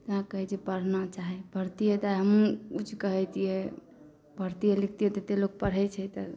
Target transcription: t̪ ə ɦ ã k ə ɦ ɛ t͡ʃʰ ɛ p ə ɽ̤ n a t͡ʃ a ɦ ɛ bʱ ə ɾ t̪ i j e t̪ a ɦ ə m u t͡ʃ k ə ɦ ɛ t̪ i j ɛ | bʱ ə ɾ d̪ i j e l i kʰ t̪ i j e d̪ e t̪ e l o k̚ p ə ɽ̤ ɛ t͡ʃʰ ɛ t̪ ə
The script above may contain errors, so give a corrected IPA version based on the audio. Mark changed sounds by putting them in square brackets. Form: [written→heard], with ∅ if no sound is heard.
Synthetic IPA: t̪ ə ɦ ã k ə ɦ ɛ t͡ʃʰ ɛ p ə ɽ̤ n a t͡ʃ a ɦ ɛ bʱ ə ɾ t̪ i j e t̪ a ɦ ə m u t͡ʃ k ə ɦ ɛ t̪ i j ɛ | bʱ ə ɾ [d̪→t̪] i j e l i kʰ t̪ i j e [d̪→t̪] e t̪ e l o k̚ p ə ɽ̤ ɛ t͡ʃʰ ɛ t̪ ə